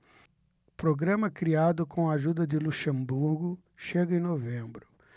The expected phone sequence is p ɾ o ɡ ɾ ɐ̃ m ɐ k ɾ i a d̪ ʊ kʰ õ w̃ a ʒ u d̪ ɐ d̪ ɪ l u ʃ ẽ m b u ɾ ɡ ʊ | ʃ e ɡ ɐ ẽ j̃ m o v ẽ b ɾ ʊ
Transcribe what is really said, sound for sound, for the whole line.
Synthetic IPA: p ɾ o ɡ ɾ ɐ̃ m ɐ k ɾ i a d̪ ʊ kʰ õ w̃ a ʒ u d̪ ɐ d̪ ɪ l u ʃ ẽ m b u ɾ ɡ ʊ | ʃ e ɡ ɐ ẽ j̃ n o v ẽ b ɾ ʊ